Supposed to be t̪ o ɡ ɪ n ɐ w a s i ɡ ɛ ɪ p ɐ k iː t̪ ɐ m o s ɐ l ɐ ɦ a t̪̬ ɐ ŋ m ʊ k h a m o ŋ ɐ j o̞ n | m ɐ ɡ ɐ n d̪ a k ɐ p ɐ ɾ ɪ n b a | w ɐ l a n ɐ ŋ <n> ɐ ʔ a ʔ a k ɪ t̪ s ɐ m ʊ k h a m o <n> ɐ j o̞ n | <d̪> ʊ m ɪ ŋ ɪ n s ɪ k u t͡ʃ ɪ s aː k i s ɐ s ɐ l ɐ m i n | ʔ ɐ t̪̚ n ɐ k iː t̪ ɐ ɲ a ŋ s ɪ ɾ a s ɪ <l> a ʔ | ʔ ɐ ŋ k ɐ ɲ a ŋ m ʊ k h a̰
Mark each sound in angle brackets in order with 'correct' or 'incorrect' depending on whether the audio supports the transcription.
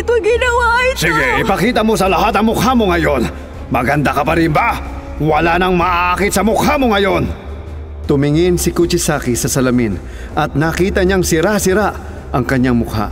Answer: incorrect: m, incorrect: ŋ, incorrect: t̪, incorrect: ɾ

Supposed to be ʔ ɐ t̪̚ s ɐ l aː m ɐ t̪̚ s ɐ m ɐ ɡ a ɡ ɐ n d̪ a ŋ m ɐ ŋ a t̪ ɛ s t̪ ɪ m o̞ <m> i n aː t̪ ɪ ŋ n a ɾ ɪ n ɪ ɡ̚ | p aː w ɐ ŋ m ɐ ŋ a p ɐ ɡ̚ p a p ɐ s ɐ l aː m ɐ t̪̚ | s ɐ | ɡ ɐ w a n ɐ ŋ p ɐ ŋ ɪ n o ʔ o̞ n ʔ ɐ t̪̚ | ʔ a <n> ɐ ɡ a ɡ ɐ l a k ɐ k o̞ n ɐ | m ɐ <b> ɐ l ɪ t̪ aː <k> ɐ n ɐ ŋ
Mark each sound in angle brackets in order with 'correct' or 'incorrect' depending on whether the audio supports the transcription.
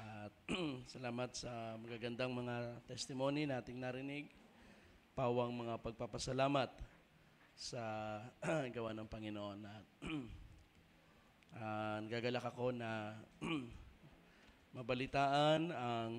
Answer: incorrect: n, correct, correct, incorrect: ʔ

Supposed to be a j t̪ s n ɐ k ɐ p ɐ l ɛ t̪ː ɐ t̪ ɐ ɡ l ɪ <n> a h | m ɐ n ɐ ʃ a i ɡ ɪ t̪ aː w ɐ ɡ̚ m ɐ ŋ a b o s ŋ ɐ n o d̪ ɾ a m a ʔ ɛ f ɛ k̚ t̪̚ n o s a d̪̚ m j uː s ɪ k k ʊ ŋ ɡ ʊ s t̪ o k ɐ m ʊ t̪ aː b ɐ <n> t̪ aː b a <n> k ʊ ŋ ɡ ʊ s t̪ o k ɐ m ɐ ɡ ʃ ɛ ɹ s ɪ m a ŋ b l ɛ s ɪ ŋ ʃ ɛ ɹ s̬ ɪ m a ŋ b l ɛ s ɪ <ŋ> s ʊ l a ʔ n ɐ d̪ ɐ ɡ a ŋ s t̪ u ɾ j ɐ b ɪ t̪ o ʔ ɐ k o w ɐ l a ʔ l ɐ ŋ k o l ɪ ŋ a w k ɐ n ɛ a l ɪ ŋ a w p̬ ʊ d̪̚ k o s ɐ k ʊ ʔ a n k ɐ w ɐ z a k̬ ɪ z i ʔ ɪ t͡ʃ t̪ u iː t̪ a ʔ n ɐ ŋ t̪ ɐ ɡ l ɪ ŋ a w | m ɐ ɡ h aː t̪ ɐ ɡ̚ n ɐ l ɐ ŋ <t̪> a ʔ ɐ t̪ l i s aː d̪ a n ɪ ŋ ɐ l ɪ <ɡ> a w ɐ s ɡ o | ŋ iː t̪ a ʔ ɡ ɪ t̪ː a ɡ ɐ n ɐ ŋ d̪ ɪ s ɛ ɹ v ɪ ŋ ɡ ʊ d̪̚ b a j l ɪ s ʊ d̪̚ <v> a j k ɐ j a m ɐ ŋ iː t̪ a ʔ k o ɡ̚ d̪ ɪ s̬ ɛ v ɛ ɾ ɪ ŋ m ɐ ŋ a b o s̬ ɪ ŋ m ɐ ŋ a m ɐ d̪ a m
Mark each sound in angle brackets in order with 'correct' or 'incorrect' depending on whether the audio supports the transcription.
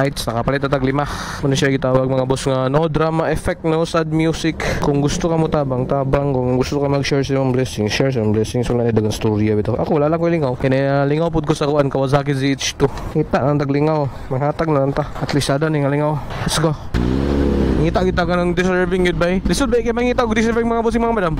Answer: incorrect: m, incorrect: ŋ, incorrect: ŋ, correct, correct, incorrect: ŋ, incorrect: b

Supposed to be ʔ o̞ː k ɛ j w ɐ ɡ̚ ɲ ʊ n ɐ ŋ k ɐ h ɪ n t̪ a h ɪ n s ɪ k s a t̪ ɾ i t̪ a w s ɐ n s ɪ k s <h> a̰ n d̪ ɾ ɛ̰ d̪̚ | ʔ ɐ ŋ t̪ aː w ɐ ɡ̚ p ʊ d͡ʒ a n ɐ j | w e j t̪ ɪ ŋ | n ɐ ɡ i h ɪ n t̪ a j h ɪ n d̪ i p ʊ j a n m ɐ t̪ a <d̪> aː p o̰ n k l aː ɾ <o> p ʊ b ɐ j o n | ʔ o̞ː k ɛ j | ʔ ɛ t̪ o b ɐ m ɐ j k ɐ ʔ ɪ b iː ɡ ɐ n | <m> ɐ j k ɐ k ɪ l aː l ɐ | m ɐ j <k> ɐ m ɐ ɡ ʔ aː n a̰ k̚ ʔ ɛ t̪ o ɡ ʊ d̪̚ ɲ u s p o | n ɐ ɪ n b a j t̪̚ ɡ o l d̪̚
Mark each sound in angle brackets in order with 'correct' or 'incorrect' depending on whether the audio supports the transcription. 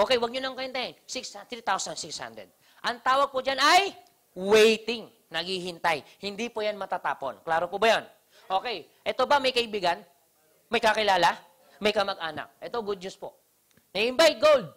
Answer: correct, incorrect: t̪, correct, correct, correct

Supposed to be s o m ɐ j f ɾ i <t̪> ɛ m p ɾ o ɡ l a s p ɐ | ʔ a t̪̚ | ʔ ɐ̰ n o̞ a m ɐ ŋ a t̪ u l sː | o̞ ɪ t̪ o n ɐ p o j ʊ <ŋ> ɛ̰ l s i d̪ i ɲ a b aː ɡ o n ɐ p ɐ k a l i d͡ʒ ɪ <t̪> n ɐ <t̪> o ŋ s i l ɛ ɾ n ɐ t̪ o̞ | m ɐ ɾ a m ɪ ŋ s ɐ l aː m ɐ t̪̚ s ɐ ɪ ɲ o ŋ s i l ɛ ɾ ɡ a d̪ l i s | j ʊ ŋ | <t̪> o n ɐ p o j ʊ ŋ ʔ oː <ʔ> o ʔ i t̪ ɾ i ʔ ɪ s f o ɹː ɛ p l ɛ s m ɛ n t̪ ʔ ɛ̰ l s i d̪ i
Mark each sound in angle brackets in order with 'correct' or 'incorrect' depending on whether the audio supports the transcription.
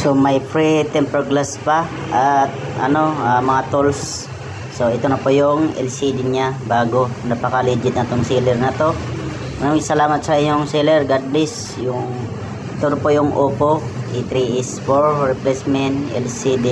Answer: correct, correct, correct, correct, correct, incorrect: p

